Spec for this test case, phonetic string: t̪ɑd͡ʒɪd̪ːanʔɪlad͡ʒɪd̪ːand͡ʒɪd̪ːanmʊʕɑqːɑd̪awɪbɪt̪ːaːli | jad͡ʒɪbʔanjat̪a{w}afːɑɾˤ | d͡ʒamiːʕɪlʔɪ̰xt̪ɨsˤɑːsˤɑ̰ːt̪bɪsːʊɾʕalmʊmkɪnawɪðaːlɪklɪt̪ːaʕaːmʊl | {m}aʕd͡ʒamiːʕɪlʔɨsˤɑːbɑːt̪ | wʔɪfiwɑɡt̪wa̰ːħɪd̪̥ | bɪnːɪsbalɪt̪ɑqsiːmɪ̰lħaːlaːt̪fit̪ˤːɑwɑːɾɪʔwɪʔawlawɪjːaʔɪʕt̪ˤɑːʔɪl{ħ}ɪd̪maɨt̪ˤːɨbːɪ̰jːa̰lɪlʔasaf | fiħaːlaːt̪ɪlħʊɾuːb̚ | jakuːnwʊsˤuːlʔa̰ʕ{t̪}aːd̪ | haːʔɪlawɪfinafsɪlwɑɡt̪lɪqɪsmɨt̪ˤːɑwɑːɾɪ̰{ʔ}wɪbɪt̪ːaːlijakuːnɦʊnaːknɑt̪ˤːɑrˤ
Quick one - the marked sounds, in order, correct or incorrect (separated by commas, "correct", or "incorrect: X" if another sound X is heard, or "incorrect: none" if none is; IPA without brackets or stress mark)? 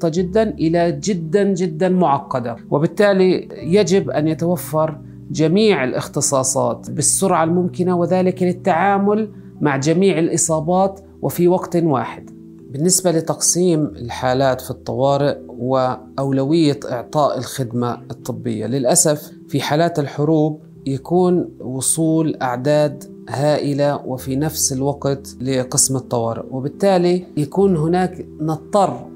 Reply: correct, correct, incorrect: x, incorrect: d̪, correct